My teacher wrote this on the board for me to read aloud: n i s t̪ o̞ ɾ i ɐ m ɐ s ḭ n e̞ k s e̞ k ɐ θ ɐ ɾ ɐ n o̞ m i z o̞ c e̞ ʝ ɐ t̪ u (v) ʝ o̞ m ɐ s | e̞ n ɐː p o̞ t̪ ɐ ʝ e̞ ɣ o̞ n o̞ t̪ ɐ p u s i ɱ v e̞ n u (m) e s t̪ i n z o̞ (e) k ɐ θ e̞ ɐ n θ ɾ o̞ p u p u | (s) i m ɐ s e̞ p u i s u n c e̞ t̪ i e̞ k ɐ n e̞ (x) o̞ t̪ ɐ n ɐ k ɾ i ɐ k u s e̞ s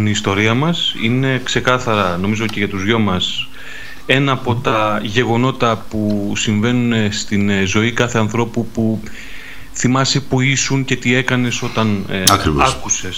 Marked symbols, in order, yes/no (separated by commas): no, no, no, no, no